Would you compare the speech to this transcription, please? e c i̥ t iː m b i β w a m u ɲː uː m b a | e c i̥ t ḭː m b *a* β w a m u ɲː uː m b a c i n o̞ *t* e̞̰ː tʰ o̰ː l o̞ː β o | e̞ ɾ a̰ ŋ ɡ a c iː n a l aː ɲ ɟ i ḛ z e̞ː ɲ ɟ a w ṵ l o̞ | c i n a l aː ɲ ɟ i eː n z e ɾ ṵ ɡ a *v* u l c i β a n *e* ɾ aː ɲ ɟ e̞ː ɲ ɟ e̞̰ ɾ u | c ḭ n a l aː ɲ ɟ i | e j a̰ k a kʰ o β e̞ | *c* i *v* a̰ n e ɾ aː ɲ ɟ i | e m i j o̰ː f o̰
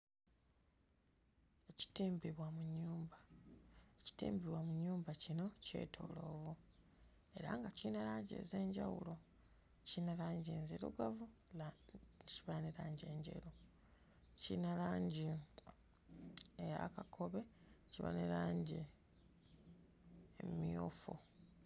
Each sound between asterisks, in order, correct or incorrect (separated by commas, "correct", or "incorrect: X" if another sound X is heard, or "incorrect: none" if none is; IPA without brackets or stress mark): incorrect: i, incorrect: c, correct, correct, correct, incorrect: β